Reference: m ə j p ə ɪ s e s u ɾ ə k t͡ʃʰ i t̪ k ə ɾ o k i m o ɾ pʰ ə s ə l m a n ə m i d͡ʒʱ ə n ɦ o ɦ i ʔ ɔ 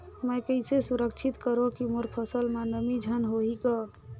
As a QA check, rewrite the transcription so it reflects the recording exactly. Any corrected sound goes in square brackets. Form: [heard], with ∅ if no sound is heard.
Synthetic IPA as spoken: m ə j [k] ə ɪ s e s u ɾ ə k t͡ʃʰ i t̪ k ə ɾ o k i m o ɾ pʰ ə s ə l m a n ə m i d͡ʒʱ ə n ɦ o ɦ i [k] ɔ